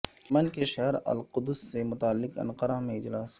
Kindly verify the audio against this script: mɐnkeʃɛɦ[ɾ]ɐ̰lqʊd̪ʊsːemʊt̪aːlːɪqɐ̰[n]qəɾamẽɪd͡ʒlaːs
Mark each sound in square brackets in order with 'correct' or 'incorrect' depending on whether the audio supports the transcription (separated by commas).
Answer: correct, correct